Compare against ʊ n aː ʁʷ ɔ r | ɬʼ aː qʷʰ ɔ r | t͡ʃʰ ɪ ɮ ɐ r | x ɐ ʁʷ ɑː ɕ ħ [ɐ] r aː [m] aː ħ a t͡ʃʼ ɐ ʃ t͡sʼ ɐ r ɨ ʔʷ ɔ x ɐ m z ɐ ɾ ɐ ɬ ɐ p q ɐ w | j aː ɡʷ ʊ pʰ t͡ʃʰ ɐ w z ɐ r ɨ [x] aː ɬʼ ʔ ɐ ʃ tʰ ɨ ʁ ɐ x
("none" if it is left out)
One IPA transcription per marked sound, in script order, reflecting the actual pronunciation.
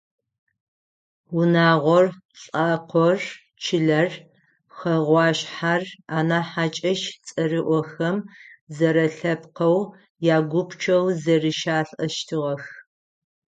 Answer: a, n, ʃ

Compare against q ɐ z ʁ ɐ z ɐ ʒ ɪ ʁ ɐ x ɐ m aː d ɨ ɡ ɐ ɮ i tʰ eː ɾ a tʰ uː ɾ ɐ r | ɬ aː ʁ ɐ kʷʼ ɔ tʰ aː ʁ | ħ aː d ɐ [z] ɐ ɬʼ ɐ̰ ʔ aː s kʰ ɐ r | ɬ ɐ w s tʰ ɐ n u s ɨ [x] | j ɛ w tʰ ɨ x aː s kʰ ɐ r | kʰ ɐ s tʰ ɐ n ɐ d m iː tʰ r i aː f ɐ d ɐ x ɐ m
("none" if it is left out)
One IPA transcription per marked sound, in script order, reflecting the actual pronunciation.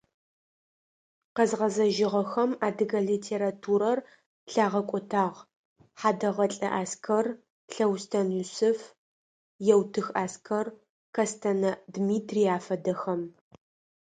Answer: ʁ, f

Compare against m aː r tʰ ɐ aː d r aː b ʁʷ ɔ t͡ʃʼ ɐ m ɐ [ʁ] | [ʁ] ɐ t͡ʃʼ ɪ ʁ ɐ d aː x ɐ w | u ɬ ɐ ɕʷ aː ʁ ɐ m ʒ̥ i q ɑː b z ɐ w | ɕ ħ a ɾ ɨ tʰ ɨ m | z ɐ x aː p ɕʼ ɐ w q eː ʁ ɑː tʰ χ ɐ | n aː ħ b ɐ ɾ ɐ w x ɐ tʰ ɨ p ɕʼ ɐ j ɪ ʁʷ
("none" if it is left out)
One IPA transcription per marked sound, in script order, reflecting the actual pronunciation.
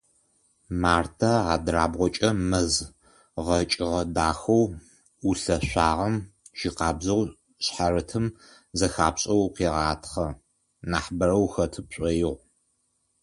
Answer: z, ʁ

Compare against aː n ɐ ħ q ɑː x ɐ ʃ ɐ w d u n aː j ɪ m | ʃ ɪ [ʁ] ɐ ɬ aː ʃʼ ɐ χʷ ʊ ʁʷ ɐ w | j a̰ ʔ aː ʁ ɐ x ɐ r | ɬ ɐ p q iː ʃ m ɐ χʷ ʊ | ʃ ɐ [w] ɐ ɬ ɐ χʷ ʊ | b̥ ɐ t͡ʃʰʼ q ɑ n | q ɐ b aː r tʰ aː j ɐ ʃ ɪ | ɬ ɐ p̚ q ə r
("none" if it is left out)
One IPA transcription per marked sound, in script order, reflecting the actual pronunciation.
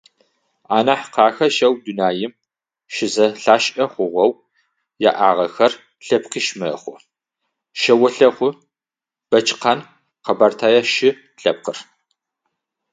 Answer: z, w

